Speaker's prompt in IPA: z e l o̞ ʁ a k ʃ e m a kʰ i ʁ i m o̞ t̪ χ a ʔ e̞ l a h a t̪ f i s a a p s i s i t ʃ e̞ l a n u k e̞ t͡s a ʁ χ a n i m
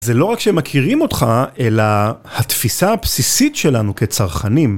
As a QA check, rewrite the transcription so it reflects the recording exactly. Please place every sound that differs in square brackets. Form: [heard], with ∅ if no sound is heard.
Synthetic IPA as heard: z e l o̞ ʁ a k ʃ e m a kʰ i ʁ i m o̞ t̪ χ a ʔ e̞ l a h a t̪ f i s a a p s i s i t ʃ e̞ l a n u k e̞ t͡s a ʁ χ a n i m